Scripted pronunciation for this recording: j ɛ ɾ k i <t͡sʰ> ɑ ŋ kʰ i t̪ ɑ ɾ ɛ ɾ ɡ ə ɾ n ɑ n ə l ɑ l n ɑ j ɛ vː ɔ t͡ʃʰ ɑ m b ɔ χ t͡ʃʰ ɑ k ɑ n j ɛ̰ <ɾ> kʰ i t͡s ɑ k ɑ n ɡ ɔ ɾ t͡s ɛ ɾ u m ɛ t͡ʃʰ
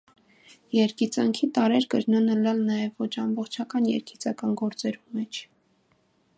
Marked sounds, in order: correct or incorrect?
incorrect, correct

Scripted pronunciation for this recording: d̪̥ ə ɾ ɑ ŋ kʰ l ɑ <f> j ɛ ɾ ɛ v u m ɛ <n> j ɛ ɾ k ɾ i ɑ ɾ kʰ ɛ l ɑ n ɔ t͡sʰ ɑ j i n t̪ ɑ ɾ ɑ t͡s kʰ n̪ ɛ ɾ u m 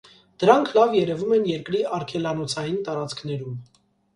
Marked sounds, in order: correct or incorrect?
incorrect, correct

